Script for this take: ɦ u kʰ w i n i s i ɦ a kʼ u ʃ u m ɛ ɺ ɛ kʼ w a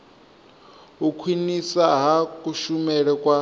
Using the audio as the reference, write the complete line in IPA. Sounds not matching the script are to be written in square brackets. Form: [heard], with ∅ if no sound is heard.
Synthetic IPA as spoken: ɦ u kʰ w i n i s [a] ɦ a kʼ u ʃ u m ɛ ɺ ɛ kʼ w a